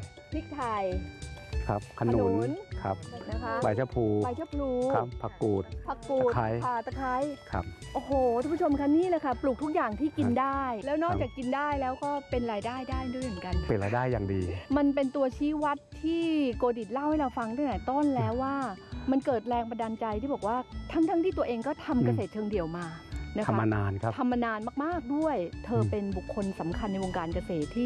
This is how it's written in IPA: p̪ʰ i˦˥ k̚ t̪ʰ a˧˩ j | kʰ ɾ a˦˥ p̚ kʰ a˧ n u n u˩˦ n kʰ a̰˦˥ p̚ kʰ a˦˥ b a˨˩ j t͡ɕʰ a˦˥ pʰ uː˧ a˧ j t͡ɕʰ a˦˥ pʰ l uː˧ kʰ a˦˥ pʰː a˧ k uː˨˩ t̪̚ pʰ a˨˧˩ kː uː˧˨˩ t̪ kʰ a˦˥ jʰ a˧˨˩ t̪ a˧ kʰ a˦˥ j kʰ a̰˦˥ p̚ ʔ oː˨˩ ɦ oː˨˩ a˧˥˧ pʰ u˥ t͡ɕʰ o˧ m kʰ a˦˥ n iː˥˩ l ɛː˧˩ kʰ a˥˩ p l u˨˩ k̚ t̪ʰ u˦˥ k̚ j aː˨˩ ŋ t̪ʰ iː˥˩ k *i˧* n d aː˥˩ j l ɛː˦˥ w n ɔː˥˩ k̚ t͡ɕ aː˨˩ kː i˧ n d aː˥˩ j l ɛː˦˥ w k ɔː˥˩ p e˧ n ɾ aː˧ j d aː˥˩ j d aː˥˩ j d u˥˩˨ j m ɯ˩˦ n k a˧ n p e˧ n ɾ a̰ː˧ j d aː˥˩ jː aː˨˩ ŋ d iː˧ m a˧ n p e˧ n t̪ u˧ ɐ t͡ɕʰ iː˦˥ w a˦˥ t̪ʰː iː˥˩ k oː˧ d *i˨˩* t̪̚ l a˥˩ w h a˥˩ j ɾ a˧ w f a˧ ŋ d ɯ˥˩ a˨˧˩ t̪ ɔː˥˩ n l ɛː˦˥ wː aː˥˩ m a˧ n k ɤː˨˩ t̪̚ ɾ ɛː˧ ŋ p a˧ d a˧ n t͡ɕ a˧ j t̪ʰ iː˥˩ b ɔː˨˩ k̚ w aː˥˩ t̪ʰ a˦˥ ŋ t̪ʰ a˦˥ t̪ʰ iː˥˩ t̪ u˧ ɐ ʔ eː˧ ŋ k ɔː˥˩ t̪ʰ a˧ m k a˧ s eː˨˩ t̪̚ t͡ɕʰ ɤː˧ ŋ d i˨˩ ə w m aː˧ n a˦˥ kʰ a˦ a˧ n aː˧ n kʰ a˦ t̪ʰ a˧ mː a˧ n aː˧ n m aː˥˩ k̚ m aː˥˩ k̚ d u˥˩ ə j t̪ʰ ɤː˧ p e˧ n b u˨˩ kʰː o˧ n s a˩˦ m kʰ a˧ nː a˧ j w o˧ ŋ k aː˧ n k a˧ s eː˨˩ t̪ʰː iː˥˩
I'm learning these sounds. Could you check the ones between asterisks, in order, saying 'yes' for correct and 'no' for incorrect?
yes, yes

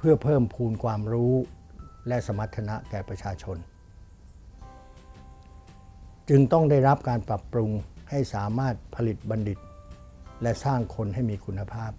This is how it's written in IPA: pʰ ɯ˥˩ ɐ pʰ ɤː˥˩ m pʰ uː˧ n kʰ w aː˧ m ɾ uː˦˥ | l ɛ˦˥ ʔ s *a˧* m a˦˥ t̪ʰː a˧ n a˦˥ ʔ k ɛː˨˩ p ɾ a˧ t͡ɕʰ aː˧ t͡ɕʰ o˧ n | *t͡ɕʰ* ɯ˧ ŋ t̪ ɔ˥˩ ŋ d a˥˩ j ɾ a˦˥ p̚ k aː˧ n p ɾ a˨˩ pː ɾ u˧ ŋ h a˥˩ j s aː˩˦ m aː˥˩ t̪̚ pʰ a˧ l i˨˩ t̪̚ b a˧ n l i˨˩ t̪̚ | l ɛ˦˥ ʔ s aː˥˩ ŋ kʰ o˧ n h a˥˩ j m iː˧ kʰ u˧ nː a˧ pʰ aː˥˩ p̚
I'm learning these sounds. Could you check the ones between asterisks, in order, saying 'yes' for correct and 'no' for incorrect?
yes, no

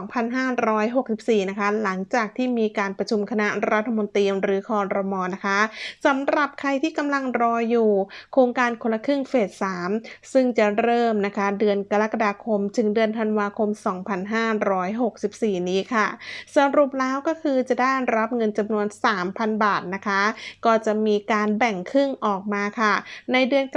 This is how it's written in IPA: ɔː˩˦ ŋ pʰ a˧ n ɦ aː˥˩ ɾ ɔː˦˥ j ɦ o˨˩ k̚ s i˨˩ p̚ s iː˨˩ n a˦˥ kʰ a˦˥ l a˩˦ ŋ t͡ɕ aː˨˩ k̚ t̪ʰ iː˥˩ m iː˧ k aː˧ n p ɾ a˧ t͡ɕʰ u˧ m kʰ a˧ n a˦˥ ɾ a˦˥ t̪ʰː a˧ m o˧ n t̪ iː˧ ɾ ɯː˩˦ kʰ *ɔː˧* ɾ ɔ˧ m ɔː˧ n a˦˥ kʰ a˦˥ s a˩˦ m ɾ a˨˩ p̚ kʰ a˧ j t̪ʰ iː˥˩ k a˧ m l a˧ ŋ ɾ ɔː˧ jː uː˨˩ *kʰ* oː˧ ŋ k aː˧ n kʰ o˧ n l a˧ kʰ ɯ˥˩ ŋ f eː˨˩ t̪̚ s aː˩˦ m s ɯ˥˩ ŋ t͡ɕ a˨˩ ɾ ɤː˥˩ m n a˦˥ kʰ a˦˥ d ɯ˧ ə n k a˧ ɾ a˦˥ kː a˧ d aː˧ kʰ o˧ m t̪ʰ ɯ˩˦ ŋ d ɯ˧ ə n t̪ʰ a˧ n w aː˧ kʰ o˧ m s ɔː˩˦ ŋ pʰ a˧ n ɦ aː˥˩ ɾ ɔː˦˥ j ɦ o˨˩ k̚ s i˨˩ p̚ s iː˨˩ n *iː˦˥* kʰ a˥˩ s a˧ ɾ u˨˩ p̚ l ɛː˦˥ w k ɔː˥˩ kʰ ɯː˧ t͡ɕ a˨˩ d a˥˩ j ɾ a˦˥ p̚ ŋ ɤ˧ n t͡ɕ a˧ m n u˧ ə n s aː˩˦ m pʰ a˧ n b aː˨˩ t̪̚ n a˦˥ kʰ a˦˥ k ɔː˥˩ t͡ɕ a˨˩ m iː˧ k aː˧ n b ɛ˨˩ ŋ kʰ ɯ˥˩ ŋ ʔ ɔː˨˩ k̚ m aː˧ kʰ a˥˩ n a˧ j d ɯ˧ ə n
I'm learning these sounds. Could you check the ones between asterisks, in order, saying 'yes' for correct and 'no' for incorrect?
yes, yes, yes

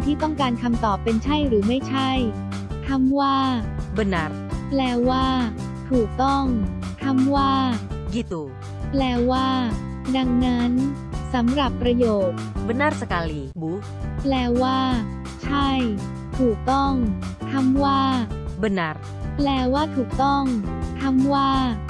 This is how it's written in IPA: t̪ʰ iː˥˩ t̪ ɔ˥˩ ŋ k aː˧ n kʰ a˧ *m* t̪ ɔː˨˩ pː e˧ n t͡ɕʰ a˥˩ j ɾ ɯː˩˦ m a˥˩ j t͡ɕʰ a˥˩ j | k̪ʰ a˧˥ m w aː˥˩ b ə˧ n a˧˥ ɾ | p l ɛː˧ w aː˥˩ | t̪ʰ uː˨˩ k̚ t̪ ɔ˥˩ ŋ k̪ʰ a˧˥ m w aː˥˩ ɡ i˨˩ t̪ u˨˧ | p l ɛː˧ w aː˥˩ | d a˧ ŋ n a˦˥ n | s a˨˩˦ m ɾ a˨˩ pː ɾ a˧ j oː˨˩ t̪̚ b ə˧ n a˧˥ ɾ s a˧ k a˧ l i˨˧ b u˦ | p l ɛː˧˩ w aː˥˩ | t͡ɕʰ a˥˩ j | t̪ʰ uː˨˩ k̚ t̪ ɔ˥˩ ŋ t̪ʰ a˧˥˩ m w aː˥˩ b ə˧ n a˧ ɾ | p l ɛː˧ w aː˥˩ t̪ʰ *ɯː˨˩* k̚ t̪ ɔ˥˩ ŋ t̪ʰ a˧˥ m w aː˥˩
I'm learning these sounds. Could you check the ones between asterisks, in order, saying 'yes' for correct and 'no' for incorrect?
yes, no

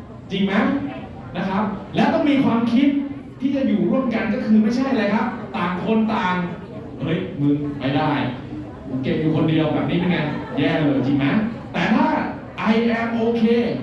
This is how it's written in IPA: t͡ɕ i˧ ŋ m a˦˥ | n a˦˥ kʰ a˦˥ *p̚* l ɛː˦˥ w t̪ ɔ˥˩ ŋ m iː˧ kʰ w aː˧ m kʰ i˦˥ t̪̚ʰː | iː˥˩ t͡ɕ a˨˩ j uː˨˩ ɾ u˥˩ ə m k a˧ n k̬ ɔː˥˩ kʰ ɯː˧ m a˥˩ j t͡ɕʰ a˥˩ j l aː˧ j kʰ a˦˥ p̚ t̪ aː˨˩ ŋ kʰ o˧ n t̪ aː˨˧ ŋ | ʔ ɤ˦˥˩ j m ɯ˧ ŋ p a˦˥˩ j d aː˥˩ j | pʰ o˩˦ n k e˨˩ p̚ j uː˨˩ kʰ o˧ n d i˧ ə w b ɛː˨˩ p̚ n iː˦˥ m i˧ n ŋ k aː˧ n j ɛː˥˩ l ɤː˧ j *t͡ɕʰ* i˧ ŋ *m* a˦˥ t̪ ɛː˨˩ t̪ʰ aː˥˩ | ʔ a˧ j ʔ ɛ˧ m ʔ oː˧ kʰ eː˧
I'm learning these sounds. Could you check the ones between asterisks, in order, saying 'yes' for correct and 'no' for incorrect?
yes, no, yes

